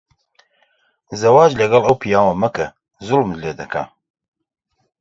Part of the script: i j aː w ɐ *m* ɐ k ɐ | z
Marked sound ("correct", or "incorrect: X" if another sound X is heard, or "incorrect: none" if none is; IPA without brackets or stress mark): correct